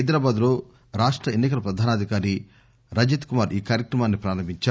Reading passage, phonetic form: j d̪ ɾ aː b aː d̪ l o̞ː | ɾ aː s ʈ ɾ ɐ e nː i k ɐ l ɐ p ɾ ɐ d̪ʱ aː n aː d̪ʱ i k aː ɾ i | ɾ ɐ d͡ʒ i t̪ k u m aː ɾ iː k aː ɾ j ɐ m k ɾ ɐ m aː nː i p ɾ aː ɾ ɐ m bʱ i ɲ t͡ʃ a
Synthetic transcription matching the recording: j d̪ ɾ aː b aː d̪ l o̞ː | ɾ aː ʂ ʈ ɾ ɐ e nː i k ɐ l ɐ p ɾ ɐ d̪ʱ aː n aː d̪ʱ i k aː ɾ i | ɾ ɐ d͡ʒ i t̪ k u m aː ɾ iː k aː ɾ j ɐ k ɾ ɐ m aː nː i p ɾ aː ɾ ɐ m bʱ i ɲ t͡ʃ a